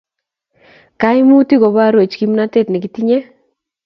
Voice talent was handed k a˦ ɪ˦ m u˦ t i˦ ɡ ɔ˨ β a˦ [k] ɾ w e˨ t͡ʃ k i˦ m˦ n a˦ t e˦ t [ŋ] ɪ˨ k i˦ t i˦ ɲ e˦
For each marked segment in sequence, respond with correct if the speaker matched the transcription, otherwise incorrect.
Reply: incorrect, incorrect

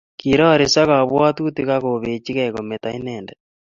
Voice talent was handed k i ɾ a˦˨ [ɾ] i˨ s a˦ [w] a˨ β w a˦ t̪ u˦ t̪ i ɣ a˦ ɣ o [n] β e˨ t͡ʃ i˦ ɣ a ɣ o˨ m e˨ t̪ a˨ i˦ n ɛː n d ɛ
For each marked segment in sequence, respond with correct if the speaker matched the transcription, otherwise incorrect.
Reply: correct, incorrect, incorrect

